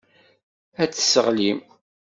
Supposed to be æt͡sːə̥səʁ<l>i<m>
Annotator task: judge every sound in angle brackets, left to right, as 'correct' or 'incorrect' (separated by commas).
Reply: correct, correct